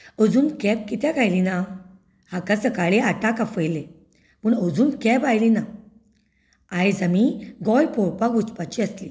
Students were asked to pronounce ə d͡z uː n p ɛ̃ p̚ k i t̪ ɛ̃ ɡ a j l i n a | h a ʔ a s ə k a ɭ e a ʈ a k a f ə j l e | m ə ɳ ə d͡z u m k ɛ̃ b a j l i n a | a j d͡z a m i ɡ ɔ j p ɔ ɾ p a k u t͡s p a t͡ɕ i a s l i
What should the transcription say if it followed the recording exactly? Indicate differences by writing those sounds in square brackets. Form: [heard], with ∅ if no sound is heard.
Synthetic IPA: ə d͡z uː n [k] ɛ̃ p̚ k i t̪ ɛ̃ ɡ a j l i n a | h a [k] a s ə k a ɭ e a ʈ a k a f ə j l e | m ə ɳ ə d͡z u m k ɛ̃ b a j l i n a | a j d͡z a m i ɡ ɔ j p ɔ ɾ p a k u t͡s p a t͡ɕ i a s l i